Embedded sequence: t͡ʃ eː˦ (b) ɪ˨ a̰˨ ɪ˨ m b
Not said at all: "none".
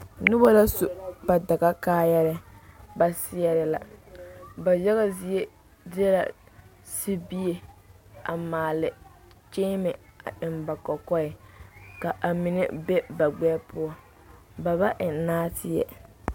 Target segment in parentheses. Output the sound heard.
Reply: m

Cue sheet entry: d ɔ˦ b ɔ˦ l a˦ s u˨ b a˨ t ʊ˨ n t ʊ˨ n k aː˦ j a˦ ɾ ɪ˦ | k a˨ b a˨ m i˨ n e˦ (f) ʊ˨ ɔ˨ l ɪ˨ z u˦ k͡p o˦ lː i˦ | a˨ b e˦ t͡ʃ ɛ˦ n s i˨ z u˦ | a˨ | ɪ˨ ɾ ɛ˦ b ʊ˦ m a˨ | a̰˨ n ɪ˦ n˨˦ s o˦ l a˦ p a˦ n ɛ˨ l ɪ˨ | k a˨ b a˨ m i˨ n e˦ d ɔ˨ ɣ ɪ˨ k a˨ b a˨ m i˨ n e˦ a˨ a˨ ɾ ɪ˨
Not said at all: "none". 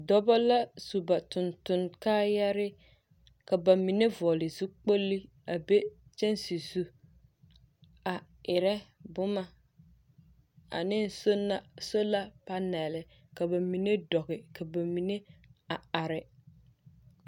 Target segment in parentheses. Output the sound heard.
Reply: v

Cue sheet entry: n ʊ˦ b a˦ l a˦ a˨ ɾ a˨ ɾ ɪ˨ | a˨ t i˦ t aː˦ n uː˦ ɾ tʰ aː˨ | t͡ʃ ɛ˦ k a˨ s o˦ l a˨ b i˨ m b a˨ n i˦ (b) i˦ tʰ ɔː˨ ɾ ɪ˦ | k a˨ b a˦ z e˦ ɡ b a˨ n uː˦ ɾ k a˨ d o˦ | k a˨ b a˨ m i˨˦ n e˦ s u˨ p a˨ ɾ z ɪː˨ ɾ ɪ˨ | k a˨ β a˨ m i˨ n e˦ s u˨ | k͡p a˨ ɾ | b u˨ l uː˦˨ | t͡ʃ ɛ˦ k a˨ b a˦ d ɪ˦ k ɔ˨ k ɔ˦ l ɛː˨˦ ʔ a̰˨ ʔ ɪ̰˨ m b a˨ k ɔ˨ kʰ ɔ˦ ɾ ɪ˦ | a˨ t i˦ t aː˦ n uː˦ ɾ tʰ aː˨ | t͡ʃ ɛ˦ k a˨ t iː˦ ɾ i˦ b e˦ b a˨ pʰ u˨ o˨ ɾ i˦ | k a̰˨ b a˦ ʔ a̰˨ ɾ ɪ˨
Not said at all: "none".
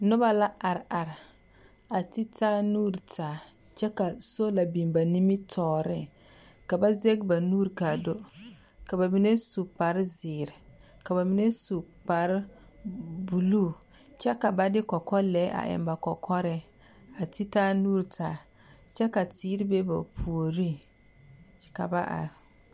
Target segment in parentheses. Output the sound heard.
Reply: m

